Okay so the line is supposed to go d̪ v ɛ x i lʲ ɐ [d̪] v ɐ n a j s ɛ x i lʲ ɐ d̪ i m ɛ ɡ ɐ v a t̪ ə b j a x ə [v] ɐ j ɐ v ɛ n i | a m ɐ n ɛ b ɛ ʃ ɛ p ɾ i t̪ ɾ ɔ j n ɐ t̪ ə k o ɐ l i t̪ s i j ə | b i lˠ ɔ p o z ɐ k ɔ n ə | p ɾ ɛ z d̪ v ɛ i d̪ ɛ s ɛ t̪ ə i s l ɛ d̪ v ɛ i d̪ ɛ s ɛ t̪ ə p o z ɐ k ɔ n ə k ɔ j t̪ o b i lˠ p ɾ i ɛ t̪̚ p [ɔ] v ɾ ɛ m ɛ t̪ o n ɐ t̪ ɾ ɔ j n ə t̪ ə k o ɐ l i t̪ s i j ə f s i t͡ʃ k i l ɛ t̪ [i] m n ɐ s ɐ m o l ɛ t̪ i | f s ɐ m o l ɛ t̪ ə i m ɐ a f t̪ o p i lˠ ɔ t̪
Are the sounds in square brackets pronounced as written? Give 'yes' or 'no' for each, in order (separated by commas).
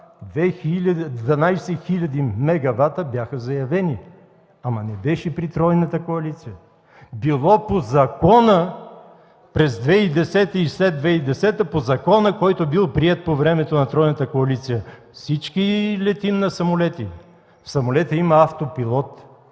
yes, no, no, yes